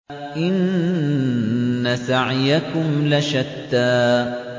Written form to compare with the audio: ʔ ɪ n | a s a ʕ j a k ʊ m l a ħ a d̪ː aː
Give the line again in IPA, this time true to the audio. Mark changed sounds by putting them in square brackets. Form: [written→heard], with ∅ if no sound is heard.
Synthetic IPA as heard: ʔ ɪ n | a s a ʕ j a k ʊ m l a [ħ→ʃ] a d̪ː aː